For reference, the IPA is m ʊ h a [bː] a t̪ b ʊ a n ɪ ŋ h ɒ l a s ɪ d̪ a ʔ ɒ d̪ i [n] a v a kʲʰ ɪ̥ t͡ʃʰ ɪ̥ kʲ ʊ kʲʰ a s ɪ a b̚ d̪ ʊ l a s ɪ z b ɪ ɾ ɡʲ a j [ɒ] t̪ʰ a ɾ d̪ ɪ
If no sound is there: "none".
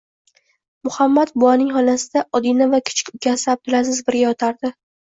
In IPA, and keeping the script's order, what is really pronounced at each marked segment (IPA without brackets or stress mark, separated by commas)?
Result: mː, n, ɒ